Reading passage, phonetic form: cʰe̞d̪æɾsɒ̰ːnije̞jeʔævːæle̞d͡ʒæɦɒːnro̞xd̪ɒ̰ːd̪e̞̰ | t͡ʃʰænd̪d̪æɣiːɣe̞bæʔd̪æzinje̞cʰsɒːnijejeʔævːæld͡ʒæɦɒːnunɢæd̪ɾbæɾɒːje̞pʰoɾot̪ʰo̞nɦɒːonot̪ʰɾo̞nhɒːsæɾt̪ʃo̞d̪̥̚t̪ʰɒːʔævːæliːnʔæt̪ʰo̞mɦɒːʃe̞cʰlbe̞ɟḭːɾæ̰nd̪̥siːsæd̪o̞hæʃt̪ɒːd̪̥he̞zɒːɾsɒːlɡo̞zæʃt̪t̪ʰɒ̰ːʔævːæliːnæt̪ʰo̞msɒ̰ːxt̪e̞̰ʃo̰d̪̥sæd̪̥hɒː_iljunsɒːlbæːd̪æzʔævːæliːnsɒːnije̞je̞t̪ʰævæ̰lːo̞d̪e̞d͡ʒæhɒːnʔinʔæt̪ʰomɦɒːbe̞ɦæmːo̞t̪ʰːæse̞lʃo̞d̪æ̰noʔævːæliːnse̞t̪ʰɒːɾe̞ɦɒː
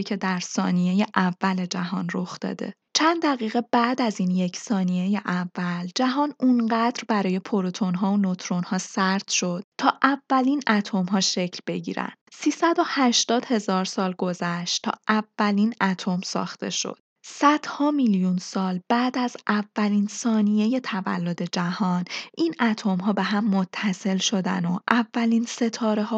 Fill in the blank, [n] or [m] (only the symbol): m